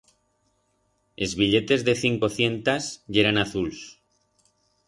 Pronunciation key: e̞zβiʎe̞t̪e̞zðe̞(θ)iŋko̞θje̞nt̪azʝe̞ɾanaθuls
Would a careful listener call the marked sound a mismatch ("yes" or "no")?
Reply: no